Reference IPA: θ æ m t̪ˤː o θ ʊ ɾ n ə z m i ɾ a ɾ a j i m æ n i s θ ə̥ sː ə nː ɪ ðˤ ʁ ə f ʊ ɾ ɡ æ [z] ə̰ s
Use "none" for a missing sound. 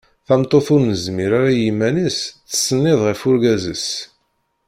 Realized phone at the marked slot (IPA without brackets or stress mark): z